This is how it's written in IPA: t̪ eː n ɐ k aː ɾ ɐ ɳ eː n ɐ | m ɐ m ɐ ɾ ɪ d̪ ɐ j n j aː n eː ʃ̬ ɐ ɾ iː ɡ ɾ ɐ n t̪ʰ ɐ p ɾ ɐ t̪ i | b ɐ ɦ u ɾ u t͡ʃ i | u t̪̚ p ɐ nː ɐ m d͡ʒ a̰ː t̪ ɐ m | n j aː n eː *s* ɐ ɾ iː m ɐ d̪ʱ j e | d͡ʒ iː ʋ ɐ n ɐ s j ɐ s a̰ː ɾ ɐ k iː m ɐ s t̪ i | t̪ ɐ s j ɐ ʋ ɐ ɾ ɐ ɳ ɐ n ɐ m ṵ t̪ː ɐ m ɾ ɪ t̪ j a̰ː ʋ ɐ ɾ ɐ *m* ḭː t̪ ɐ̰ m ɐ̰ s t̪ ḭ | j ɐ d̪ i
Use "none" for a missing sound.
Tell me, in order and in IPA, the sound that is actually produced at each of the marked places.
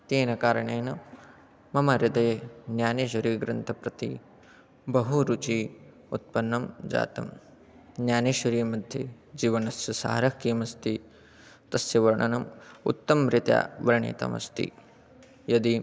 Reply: ʃ, ɳ

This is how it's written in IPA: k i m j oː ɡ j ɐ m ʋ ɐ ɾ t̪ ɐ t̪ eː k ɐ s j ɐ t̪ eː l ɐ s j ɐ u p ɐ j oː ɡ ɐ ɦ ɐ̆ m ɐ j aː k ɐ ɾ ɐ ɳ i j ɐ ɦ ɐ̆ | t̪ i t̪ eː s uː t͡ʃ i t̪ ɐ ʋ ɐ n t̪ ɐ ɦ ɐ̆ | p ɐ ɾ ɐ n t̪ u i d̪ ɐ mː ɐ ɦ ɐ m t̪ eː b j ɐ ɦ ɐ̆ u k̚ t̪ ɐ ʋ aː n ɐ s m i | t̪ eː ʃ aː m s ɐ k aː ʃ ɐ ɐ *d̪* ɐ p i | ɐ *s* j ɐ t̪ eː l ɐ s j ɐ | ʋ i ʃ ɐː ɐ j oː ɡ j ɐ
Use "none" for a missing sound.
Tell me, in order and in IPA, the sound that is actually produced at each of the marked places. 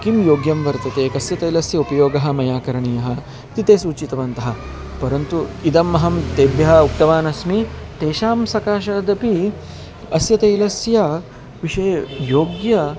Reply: d̪, s

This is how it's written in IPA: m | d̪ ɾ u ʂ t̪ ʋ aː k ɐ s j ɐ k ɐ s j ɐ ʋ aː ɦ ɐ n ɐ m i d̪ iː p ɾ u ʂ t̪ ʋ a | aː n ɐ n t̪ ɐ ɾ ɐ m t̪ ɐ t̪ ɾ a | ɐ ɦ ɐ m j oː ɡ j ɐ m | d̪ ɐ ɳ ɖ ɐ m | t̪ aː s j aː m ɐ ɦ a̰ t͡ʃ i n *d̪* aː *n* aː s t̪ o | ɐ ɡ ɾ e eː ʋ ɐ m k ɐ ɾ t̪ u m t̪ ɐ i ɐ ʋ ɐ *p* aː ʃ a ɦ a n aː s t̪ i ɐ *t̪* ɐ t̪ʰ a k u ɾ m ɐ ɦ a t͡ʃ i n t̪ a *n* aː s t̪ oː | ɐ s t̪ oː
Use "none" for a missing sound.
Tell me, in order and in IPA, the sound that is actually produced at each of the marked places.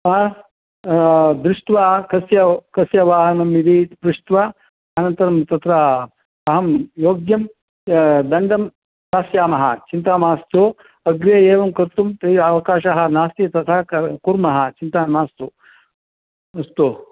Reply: t̪, m, k, t̪, m

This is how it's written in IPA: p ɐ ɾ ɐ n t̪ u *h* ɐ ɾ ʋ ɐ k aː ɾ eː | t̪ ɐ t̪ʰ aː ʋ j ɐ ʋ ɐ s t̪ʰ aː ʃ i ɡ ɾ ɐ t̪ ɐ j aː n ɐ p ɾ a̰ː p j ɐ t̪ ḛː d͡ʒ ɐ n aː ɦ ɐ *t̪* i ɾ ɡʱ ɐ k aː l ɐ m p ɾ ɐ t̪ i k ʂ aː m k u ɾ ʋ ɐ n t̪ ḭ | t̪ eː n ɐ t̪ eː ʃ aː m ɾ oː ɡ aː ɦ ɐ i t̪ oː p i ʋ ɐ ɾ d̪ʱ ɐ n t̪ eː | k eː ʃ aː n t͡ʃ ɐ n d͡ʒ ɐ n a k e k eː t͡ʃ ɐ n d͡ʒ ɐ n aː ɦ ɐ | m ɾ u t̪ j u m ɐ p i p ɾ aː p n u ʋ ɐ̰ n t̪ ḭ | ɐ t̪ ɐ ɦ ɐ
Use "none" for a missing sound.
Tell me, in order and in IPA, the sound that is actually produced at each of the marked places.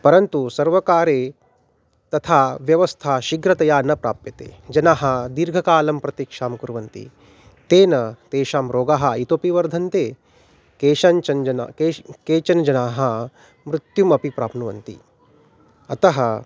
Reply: s, d̪

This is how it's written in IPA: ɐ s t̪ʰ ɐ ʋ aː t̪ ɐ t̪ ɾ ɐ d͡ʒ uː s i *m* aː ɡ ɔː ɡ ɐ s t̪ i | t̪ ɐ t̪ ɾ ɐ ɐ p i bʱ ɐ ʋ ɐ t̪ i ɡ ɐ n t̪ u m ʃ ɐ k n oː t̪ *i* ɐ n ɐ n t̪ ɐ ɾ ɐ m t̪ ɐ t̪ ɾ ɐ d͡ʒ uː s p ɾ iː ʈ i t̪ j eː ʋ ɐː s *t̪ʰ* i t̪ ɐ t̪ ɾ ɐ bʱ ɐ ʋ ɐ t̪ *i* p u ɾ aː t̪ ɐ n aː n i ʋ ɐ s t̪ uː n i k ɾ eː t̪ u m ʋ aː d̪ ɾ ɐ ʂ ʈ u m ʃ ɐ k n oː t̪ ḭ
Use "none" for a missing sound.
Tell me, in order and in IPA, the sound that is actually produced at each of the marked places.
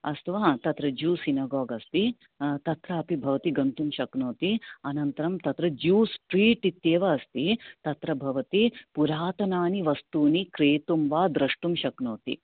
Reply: n, i, t̪, i

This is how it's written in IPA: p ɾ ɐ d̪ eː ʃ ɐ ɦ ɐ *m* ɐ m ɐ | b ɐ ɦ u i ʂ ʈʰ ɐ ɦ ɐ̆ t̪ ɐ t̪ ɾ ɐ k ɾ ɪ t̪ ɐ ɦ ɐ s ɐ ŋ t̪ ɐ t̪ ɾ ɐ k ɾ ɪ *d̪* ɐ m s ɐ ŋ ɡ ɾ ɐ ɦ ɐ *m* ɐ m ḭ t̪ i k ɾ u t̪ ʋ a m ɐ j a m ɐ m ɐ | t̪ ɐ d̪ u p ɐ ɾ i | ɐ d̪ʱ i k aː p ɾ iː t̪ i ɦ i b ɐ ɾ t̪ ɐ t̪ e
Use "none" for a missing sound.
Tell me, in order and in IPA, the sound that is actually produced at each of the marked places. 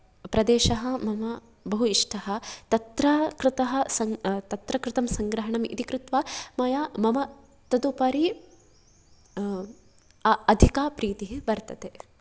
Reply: m, t̪, ɳ

